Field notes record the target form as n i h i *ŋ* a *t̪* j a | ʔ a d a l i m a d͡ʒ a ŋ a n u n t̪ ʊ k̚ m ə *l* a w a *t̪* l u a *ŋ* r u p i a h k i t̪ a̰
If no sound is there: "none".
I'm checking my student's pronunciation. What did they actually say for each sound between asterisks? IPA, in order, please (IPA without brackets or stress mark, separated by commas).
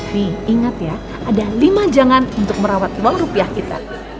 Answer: ŋ, t̪, ɾ, t̪, ŋ